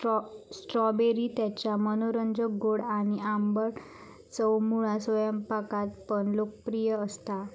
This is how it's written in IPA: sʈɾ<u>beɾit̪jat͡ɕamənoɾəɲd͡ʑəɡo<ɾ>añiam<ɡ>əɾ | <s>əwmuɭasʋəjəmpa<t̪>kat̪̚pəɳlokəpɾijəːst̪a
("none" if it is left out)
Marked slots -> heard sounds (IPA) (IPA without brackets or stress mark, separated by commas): ɔ, ɽ, b, t͡s, none